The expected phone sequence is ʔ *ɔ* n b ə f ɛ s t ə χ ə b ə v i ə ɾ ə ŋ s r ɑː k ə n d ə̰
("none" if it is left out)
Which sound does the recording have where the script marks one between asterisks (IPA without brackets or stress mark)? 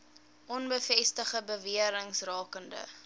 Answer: ɔ